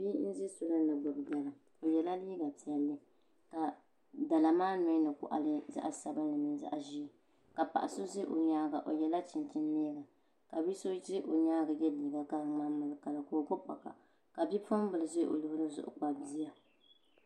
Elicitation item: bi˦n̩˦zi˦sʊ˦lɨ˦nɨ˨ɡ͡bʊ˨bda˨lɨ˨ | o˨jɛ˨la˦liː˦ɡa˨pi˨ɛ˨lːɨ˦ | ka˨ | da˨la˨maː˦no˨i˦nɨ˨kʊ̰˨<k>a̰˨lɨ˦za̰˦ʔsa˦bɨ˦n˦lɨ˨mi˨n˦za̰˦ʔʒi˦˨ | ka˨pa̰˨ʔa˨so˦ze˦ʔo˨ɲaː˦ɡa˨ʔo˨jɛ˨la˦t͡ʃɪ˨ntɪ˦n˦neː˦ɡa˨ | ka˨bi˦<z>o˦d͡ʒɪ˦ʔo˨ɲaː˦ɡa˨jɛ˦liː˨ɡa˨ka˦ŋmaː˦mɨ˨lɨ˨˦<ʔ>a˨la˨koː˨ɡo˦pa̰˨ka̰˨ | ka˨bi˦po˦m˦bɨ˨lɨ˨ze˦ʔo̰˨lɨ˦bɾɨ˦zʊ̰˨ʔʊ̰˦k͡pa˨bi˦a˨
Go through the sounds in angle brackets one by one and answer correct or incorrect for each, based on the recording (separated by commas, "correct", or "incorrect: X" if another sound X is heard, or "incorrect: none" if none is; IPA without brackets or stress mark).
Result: incorrect: ʔ, incorrect: s, incorrect: k